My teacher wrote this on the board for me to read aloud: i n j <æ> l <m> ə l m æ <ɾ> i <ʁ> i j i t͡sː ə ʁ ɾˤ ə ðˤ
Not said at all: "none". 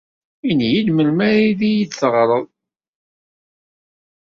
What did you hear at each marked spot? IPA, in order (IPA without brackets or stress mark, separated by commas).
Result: i, m, ɾ, ð